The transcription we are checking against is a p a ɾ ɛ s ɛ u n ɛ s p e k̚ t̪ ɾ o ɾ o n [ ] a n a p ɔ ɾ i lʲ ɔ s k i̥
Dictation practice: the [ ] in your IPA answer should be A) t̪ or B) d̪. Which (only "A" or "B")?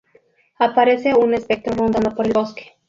B